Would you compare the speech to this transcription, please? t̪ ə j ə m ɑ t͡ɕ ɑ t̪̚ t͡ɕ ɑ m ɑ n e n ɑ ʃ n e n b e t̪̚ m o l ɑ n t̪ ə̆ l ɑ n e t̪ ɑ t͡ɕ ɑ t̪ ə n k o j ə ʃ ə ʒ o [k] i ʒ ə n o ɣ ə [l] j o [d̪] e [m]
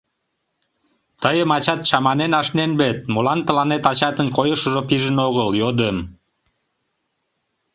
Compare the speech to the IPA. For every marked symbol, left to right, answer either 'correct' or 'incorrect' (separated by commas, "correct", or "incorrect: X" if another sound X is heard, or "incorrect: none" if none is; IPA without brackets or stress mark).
incorrect: p, correct, correct, correct